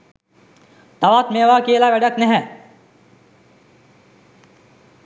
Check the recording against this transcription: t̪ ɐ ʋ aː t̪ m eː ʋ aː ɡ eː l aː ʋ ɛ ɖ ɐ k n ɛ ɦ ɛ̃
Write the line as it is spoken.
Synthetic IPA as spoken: t̪ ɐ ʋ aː t̪ m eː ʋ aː k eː l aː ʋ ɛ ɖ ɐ k n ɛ ɦ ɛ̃